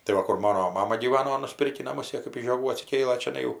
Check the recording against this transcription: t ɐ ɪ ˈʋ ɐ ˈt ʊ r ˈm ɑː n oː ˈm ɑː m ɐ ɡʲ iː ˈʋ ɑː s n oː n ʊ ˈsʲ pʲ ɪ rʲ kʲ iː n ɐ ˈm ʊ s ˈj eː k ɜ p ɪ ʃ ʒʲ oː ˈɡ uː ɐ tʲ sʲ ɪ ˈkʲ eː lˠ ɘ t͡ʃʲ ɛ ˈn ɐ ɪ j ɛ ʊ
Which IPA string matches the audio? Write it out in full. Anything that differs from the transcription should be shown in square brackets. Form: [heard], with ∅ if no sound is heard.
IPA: t ɐ ɪ ˈʋ ɐ [ˈk] ʊ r ˈm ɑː n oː ˈm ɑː m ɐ ɡʲ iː ˈʋ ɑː [∅] n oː n ʊ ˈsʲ pʲ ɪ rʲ kʲ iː n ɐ ˈm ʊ s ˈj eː k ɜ p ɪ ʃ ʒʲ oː ˈɡ uː ɐ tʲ sʲ ɪ ˈkʲ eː lˠ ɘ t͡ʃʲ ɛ ˈn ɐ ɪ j ɛ ʊ